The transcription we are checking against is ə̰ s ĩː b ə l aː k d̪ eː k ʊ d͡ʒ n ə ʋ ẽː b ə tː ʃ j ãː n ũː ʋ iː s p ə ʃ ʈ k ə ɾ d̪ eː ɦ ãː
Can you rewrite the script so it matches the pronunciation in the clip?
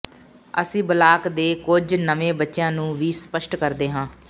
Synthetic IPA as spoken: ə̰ s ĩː b ə l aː k d̪ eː k ʊ d͡ʒ n ə ʋ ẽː b ə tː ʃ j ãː n ũː ʋ iː s p ə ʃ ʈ k ə ɾ d̪ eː ɦ ãː